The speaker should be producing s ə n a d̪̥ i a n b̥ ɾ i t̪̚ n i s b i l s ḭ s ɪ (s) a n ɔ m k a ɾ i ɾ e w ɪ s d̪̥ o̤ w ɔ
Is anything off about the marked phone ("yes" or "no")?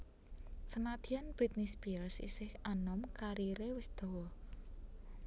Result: yes